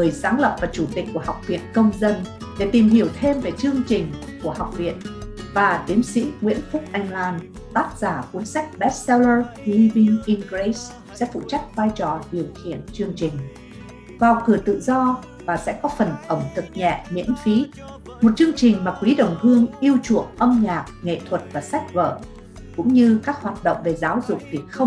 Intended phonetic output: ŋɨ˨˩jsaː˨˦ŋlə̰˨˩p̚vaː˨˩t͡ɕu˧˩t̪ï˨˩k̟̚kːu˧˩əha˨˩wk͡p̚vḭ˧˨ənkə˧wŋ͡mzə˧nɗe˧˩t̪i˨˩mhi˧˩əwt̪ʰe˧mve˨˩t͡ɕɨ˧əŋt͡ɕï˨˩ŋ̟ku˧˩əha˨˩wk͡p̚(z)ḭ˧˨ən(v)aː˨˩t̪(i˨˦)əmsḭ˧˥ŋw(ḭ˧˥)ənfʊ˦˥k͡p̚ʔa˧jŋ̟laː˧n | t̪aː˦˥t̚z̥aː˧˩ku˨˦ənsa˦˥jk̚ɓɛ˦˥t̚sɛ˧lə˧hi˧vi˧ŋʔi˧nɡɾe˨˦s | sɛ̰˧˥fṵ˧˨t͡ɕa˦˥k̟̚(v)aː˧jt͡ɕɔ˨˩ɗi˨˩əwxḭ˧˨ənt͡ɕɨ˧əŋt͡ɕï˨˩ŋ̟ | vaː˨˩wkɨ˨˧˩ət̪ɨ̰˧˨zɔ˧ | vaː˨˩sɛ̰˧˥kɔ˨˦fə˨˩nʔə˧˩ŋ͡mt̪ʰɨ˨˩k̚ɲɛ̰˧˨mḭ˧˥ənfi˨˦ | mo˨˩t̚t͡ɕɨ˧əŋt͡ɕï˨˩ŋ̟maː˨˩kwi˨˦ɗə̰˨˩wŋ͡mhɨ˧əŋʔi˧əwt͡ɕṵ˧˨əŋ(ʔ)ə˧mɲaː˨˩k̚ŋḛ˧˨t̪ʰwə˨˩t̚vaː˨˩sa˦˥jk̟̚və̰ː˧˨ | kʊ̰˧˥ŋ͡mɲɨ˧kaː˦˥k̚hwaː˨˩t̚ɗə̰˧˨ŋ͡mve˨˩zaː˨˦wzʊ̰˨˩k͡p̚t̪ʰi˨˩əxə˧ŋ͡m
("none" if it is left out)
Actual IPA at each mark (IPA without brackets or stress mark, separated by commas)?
v, v, i˨˦, ḭ˧˥, v, ʔ